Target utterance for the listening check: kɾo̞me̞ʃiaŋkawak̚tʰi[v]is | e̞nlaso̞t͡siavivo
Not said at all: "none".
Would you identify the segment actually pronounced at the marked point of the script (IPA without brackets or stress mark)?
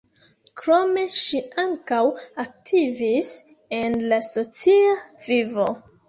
v